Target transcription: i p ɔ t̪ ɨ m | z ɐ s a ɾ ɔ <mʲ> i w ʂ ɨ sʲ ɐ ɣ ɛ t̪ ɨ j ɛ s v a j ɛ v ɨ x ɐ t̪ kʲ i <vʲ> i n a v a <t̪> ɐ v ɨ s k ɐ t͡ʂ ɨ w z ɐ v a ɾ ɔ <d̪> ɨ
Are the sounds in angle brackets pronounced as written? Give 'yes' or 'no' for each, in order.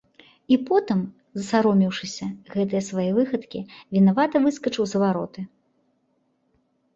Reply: yes, yes, yes, no

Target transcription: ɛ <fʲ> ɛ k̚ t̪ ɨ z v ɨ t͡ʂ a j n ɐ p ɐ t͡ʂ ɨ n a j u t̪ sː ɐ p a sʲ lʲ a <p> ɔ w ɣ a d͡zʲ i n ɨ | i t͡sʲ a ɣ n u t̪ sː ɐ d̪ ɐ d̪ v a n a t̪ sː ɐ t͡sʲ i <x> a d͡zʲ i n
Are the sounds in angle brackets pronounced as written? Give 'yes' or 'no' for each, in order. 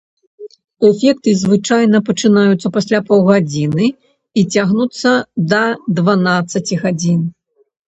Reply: yes, yes, no

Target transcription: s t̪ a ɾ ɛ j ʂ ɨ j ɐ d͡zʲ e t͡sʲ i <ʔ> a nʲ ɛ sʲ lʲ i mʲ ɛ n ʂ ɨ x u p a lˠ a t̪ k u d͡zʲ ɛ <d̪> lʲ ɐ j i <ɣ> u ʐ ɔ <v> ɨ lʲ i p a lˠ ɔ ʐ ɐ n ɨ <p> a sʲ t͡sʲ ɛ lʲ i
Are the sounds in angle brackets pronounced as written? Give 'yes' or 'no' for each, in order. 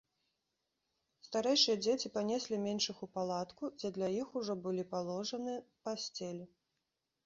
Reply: no, yes, no, no, yes

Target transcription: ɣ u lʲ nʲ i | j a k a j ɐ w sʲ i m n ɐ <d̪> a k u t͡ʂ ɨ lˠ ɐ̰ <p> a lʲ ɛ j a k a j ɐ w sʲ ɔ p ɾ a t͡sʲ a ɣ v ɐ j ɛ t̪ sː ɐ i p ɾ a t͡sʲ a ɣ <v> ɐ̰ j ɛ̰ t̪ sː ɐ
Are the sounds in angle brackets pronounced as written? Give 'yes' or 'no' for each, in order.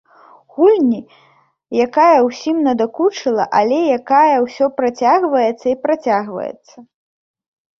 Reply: yes, no, yes

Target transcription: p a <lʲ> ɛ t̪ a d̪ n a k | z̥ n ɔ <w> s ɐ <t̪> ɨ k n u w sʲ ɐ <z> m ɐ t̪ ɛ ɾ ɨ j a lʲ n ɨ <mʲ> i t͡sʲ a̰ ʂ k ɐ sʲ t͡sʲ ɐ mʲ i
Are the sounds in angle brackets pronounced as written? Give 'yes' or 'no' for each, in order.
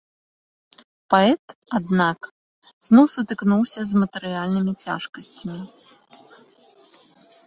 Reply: no, yes, yes, yes, yes

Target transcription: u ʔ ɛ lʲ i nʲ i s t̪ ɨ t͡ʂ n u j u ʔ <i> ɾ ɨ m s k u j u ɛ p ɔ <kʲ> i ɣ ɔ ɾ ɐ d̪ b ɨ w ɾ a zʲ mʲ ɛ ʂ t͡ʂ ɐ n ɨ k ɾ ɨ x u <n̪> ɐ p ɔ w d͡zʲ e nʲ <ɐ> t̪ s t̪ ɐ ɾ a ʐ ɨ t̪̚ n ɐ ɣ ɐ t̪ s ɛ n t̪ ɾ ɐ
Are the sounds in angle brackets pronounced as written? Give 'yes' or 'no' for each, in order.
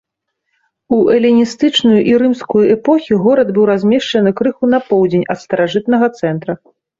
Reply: yes, no, yes, yes

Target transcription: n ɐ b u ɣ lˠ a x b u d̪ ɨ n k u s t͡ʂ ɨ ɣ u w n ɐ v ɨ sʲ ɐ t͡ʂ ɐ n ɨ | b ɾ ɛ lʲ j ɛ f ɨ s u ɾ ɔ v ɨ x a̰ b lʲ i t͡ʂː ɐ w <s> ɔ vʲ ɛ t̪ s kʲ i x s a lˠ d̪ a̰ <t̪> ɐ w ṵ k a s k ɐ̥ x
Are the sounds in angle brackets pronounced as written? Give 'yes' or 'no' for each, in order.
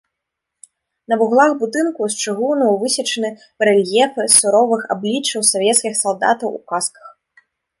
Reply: yes, yes

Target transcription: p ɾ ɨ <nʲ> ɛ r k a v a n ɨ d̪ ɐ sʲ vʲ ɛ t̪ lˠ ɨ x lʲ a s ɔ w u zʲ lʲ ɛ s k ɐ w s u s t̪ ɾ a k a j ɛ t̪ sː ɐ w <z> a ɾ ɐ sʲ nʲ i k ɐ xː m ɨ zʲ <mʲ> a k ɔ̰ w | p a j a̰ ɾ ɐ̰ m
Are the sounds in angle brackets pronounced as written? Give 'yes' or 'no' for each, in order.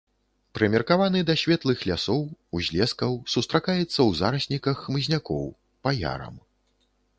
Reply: no, yes, no

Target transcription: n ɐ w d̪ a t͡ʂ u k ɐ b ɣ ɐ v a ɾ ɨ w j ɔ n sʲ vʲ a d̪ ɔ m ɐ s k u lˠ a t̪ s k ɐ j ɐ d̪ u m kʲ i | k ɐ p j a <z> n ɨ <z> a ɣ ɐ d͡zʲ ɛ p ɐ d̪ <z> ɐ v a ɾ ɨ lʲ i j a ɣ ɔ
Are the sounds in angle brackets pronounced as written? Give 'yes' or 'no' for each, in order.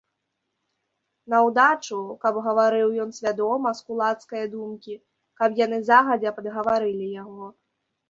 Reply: no, yes, no

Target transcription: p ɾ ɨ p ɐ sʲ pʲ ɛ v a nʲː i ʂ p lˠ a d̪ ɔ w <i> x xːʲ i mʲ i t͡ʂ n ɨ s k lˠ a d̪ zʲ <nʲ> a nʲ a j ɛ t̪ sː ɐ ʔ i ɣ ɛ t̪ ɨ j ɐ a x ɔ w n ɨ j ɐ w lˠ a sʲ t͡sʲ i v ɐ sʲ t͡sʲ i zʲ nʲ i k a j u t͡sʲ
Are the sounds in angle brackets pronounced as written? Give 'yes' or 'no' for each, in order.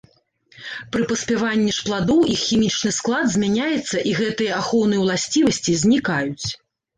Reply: yes, no

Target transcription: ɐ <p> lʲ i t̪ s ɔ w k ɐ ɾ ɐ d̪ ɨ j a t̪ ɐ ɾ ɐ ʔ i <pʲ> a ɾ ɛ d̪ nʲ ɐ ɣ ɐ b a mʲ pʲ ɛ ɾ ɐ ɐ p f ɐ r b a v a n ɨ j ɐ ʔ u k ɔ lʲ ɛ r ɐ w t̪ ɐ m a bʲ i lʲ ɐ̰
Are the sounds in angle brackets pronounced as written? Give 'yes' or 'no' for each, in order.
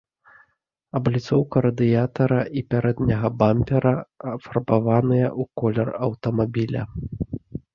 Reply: no, yes

